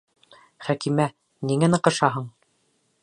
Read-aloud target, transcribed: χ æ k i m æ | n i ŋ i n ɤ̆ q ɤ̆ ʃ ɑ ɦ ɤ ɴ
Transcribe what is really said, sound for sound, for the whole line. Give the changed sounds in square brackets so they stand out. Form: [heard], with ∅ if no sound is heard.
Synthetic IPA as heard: χ æ k i m æ | n i ŋ [æ] n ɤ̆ q ɤ̆ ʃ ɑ ɦ ɤ ɴ

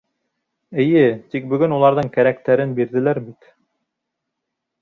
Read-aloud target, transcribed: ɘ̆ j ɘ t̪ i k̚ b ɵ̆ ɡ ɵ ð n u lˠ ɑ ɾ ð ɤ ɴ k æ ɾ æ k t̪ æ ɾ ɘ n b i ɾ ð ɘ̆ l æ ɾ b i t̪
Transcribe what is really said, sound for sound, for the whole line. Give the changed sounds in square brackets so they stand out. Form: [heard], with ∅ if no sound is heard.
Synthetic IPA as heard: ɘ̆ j ɘ t̪ i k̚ b ɵ̆ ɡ ɵ [∅] n u lˠ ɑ ɾ ð ɤ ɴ k æ ɾ æ k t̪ æ ɾ ɘ n b i ɾ ð ɘ̆ l æ ɾ b i t̪

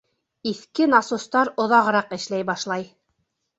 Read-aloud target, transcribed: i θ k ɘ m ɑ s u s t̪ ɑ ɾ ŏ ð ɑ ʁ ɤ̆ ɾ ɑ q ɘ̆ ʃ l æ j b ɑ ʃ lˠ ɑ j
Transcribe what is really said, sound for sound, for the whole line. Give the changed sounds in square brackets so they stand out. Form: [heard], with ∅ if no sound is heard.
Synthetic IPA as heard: i θ k ɘ [n] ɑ s u s t̪ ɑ ɾ ŏ ð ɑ ʁ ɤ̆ ɾ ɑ q ɘ̆ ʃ l æ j b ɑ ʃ lˠ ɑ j

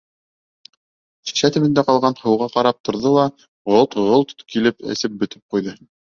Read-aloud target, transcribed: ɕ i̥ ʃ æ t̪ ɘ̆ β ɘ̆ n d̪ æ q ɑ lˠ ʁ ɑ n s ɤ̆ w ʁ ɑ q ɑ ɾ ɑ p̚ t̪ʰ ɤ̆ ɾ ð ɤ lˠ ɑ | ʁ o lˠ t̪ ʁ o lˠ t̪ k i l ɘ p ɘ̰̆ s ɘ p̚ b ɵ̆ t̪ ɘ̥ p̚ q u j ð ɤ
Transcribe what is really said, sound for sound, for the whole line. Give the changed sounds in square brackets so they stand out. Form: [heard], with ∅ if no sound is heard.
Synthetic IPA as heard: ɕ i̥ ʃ æ t̪ ɘ̆ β ɘ̆ n d̪ æ q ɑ lˠ ʁ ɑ n [h] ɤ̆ w ʁ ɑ q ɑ ɾ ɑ p̚ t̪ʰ [ŏ] ɾ ð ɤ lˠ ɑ | ʁ o lˠ t̪ ʁ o lˠ t̪ k i l ɘ p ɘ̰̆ s ɘ p̚ b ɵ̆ t̪ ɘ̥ p̚ q u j ð ɤ

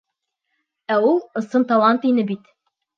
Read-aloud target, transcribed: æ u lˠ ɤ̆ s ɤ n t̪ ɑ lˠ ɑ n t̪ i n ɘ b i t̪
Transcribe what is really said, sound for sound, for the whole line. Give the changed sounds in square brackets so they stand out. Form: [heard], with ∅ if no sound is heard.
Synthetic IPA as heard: æ u lˠ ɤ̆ s ɤ n t̪ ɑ lˠ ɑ n t̪ i n ɘ b i t̪

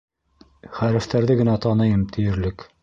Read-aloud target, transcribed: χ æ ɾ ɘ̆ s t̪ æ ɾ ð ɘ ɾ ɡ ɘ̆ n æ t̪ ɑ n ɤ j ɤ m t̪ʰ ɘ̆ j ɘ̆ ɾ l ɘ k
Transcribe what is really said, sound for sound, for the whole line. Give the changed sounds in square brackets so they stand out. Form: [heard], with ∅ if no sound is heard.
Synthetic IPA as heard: χ æ ɾ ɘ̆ [f] t̪ æ ɾ ð ɘ [∅] ɡ ɘ̆ n æ t̪ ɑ n ɤ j ɤ m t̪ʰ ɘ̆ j ɘ̆ ɾ l ɘ k

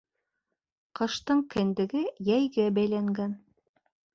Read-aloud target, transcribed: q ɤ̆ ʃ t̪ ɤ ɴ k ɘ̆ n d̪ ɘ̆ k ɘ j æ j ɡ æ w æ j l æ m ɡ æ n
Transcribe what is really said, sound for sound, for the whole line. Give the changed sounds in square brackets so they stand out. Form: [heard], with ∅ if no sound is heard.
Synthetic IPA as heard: q ɤ̆ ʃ t̪ ɤ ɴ k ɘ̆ n d̪ ɘ̆ [ɡ] ɘ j æ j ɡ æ [b] æ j l æ [ŋ] ɡ æ n

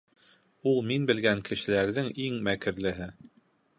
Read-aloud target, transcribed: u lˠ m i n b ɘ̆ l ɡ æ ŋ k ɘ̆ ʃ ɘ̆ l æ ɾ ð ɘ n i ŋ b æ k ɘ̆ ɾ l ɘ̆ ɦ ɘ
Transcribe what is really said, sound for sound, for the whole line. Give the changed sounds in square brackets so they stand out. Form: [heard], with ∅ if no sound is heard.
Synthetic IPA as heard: u lˠ m i n b ɘ̆ l ɡ æ ŋ k ɘ̆ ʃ ɘ̆ l æ ɾ ð ɘ [ŋ] i ŋ [m] æ k ɘ̆ ɾ l ɘ̆ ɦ ɘ

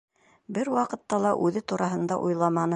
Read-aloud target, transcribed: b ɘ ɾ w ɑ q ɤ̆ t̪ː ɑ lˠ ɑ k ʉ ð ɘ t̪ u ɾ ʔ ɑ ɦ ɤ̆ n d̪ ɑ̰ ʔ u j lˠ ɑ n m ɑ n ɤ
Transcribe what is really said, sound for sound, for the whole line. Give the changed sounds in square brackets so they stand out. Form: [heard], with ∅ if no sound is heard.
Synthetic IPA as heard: b ɘ ɾ w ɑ q ɤ̆ t̪ː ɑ lˠ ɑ [ʔ] ʉ ð ɘ t̪ u ɾ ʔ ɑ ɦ ɤ̆ n d̪ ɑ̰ ʔ u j lˠ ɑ [∅] m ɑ n ɤ

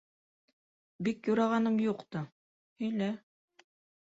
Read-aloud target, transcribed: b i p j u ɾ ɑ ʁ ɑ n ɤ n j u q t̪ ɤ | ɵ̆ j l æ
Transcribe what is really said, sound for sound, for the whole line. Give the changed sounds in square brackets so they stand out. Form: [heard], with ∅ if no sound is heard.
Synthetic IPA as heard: b i [k] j u ɾ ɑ ʁ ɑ n ɤ [m] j u q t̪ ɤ | ɵ̆ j l æ

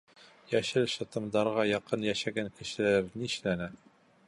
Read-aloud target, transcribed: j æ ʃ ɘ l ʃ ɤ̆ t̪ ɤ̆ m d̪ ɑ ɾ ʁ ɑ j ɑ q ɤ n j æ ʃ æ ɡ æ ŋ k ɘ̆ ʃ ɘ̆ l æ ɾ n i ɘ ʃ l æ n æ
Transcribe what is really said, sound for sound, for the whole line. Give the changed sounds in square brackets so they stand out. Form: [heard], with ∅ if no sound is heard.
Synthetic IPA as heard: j æ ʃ ɘ l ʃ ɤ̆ t̪ ɤ̆ m d̪ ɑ ɾ ʁ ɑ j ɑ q ɤ n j æ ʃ æ ɡ æ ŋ k ɘ̆ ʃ ɘ̆ l æ ɾ n i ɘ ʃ l æ n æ

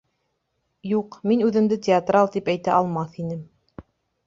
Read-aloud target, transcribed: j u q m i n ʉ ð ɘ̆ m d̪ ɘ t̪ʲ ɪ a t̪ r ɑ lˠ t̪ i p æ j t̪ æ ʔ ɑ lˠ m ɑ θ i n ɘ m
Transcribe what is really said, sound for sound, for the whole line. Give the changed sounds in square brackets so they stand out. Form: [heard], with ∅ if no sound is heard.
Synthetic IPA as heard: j u q m i n ʉ ð ɘ̆ m d̪ ɘ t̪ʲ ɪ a t̪ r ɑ lˠ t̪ i p æ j t̪ æ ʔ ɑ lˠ m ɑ θ i n ɘ m

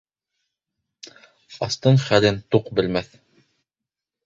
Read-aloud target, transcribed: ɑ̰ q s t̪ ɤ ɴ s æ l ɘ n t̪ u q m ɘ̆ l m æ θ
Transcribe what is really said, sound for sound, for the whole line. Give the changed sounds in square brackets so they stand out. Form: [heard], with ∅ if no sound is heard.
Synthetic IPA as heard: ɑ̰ [∅] s t̪ ɤ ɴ [χ] æ l ɘ n t̪ u q [b] ɘ̆ l m æ θ

